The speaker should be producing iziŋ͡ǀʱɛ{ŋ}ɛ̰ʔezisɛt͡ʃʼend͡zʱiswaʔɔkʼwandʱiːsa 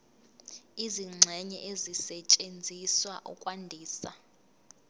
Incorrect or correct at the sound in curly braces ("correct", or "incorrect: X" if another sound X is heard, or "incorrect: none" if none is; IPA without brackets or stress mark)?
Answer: incorrect: ɲ